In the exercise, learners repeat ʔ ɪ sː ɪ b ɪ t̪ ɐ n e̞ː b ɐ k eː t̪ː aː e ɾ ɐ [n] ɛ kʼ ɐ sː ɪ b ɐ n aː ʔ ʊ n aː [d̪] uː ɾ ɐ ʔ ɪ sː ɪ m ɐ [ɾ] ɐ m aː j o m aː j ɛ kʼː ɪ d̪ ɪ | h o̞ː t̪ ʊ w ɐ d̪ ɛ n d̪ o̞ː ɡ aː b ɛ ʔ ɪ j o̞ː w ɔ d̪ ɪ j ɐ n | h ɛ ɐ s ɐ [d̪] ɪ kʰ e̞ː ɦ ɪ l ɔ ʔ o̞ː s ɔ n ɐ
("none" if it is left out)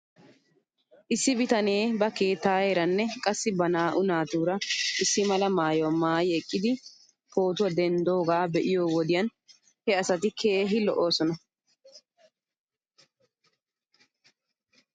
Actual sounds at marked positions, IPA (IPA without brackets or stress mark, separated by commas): nː, t̪, l, t̪